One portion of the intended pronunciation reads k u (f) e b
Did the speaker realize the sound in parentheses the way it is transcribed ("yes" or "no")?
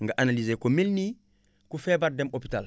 yes